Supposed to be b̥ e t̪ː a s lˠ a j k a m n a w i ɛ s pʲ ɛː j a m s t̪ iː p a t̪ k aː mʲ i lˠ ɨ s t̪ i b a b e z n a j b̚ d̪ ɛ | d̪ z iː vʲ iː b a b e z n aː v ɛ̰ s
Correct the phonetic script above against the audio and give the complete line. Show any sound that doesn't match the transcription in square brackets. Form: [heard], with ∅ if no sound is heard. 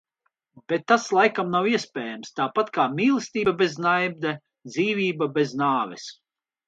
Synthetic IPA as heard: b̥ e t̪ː a s lˠ a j k a m n a w i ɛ s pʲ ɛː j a m s t̪ [aː] p a t̪ k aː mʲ [iː] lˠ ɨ s t̪ [iː] b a b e z n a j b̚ d̪ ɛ | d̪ z iː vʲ iː b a b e z n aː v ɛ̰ s